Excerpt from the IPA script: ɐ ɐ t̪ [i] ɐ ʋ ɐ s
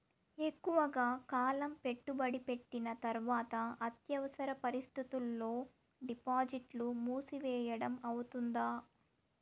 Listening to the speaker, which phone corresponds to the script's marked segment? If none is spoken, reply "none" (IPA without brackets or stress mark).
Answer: j